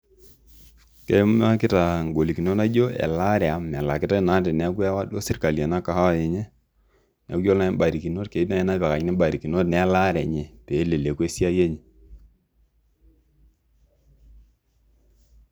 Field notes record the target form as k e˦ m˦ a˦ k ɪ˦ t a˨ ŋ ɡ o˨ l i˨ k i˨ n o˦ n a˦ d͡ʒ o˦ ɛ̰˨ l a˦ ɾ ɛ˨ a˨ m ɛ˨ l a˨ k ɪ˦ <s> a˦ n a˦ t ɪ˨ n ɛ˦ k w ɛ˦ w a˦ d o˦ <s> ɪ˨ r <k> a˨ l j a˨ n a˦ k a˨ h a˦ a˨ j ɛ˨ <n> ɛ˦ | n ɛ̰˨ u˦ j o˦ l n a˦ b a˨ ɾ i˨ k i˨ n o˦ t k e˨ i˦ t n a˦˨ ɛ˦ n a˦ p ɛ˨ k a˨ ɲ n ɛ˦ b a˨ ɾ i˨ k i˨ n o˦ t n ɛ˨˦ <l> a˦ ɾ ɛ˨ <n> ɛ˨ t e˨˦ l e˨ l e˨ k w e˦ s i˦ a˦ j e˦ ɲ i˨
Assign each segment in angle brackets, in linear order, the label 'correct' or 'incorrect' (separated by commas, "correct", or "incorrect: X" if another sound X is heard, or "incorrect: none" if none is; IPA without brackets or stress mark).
incorrect: t, correct, correct, incorrect: ɲ, correct, incorrect: ɲ